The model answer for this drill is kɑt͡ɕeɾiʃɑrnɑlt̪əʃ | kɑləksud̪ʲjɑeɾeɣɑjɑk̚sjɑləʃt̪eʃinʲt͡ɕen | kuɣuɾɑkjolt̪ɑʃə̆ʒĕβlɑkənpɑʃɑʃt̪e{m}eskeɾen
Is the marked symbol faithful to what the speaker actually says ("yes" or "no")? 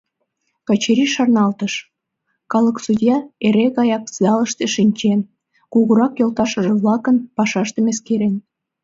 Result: yes